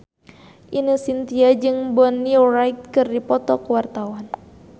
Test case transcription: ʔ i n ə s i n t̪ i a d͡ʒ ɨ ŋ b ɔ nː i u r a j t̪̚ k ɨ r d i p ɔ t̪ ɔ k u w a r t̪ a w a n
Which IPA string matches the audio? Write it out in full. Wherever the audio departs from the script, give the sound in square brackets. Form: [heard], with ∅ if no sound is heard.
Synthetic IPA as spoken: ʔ i n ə s i n t̪ i a d͡ʒ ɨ ŋ b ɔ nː i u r a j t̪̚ k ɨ r d i p ɔ t̪ ɔ k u w a r t̪ a w a n